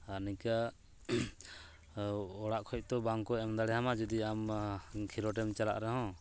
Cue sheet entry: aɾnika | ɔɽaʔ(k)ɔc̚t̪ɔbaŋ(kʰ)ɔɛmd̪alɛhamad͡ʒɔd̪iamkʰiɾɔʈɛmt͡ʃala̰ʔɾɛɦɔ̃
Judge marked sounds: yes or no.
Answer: no, no

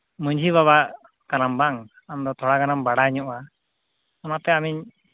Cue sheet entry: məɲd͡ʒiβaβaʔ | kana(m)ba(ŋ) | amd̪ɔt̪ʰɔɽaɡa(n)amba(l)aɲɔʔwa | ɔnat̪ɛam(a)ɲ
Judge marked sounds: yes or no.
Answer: yes, yes, yes, no, no

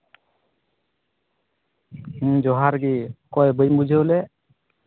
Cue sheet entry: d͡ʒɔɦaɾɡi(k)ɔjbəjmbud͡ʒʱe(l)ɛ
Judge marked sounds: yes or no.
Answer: yes, yes

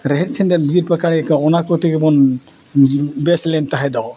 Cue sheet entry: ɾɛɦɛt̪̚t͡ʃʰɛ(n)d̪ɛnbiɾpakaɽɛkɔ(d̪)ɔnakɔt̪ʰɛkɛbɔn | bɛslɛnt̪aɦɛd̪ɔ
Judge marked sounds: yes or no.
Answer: yes, no

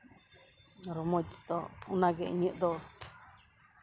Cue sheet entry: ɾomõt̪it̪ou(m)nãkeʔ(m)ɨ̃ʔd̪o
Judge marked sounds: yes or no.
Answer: no, no

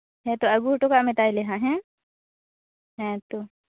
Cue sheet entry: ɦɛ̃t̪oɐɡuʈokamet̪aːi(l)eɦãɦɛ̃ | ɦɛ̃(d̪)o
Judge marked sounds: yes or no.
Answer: yes, no

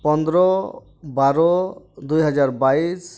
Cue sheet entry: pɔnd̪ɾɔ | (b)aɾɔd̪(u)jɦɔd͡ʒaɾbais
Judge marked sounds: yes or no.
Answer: yes, yes

